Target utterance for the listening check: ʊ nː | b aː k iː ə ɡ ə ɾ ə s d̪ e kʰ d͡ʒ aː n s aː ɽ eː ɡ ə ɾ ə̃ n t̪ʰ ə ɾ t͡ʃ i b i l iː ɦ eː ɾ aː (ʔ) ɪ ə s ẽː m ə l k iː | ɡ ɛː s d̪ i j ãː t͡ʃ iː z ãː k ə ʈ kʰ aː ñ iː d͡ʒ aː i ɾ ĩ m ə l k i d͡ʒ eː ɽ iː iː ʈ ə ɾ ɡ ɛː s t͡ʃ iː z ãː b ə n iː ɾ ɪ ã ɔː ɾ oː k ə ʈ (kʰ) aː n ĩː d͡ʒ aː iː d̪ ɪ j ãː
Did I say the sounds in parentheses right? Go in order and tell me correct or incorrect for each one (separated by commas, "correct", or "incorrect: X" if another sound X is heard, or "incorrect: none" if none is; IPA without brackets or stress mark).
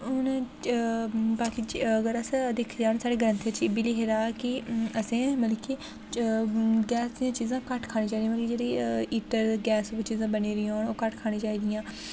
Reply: incorrect: k, correct